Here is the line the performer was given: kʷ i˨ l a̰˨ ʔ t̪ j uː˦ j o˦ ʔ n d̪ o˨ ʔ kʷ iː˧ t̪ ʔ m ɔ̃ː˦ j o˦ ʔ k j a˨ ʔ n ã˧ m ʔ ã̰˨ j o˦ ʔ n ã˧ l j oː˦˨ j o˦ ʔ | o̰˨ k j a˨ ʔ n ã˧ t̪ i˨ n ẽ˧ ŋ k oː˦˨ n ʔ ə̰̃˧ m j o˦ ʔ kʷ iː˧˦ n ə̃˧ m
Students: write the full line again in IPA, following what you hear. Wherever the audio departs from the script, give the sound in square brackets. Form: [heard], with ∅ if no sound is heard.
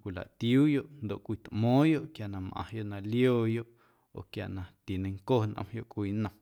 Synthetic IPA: kʷ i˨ l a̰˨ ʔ t̪ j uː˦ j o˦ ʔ n d̪ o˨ ʔ kʷ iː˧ t̪ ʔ m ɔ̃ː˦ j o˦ ʔ k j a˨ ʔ n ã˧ m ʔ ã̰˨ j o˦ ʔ n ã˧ l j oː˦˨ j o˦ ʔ | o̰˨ k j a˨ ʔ n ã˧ t̪ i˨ n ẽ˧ ŋ k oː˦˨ n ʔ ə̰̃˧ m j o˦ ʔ kʷ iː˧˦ n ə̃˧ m